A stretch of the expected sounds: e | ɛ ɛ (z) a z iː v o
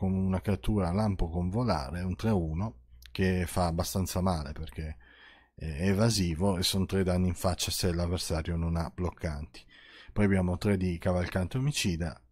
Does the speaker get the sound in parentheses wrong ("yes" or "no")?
yes